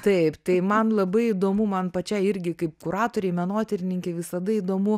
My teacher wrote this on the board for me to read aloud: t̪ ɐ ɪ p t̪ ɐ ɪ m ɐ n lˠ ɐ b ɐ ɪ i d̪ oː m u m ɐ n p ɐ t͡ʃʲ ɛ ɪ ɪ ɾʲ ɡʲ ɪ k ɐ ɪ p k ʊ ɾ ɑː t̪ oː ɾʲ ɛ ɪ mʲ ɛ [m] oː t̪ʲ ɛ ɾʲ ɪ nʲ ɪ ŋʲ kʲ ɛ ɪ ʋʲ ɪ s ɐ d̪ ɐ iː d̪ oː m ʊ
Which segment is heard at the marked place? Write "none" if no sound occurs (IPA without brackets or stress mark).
n